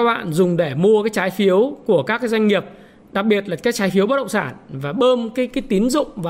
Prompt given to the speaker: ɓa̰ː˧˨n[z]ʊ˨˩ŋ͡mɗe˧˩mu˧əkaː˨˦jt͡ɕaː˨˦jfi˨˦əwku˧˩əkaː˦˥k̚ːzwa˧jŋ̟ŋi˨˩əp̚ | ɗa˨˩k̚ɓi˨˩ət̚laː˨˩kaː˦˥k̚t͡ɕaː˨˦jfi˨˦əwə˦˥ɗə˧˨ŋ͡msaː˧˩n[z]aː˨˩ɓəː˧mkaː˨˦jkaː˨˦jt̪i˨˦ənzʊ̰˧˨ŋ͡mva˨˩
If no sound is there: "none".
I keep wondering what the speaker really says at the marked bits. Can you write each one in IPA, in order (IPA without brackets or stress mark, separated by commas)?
z, v